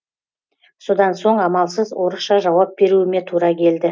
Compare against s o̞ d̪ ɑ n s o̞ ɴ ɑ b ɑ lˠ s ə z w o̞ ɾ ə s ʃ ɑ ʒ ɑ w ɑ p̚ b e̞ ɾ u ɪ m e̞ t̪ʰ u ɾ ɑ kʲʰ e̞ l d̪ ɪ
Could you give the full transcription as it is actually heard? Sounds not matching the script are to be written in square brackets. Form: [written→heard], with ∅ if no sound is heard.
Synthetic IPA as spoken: s o̞ d̪ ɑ n s o̞ ɴ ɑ [b→m] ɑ lˠ s ə z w o̞ ɾ ə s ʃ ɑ ʒ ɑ w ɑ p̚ b e̞ ɾ u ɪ m e̞ t̪ʰ u ɾ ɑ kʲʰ e̞ l d̪ ɪ